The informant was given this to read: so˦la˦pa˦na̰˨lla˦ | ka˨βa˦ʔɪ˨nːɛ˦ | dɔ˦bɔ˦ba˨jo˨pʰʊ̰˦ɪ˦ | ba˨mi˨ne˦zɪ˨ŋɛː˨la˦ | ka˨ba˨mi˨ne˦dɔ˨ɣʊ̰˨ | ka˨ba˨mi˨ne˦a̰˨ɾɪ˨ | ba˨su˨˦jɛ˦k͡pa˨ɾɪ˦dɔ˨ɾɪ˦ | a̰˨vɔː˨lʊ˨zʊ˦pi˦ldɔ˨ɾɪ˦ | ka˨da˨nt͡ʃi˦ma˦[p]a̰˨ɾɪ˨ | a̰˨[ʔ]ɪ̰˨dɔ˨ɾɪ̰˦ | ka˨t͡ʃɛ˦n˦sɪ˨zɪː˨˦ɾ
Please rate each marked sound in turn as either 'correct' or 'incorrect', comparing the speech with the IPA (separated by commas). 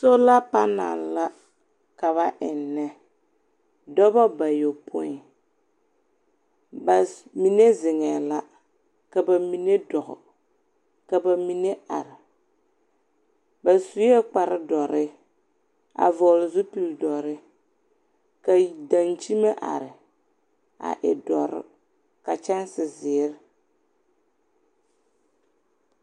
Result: incorrect, correct